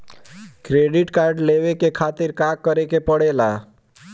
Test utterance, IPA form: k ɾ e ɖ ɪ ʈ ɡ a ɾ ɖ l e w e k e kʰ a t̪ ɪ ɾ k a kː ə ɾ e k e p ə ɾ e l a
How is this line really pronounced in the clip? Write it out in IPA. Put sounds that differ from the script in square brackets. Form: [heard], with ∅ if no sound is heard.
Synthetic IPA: k ɾ e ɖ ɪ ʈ [k] a ɾ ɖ l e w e k e kʰ a t̪ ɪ ɾ k a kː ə ɾ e k e p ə [ɽ] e l a